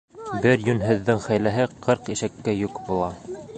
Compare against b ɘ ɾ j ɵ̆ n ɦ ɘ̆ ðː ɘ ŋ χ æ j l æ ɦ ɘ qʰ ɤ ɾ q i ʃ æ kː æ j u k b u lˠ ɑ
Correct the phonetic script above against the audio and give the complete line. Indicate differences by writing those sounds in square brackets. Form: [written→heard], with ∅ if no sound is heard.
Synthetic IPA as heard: b ɘ ɾ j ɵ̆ n ɦ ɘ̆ ðː ɘ ŋ χ æ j l æ ɦ ɘ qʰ ɤ ɾ q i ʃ æ kː æ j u k b u lˠ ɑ